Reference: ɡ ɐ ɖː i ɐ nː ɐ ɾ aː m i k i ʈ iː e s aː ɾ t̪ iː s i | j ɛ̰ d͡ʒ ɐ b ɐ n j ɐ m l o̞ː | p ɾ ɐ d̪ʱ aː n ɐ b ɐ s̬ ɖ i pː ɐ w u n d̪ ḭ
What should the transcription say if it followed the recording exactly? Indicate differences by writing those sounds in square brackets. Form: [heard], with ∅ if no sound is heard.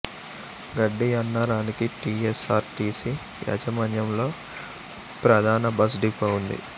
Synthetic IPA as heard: ɡ ɐ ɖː i ɐ nː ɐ ɾ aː [n] i k i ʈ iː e s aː ɾ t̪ iː s i | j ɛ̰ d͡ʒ ɐ [m] ɐ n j ɐ m l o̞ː | p ɾ ɐ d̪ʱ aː n ɐ b ɐ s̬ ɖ i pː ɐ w u n d̪ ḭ